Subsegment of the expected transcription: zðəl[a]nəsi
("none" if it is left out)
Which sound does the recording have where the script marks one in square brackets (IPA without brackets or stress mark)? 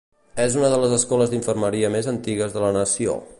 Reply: ə